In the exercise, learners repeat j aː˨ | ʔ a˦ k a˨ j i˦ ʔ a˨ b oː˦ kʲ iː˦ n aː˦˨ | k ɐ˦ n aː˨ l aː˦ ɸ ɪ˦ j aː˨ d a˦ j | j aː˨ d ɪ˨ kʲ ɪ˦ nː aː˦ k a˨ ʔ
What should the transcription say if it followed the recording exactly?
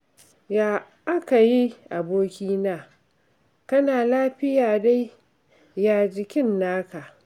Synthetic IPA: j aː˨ | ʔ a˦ k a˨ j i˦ ʔ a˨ b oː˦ kʲ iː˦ n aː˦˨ | k ɐ˦ n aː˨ l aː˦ ɸ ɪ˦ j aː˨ d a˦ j | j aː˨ d͡ʒ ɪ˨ kʲ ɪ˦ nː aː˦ k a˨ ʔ